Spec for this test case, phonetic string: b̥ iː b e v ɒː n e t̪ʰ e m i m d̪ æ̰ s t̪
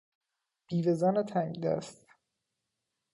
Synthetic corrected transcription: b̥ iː v e z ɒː n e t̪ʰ æ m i d̪ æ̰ s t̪